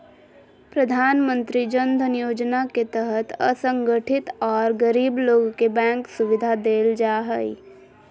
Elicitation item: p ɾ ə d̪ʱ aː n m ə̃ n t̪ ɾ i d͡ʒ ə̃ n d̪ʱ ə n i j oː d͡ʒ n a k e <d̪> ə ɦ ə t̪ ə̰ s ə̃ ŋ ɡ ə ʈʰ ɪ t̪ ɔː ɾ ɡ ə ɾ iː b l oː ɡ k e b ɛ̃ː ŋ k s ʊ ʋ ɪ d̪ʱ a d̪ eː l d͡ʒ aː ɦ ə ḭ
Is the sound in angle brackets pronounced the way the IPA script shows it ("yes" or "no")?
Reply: no